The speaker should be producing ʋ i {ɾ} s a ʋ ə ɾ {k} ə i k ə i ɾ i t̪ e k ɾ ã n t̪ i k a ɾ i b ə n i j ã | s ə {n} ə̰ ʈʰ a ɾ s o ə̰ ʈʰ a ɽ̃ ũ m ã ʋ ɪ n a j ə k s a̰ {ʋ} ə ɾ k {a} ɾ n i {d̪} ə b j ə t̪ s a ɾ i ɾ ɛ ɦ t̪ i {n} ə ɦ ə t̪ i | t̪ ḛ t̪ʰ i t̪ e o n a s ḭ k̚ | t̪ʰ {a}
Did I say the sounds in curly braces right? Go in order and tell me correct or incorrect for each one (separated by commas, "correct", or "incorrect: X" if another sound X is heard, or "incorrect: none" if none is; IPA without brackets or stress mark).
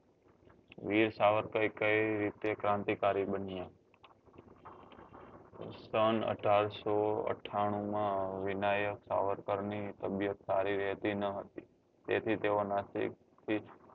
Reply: correct, correct, correct, correct, incorrect: ə, incorrect: t̪, correct, incorrect: i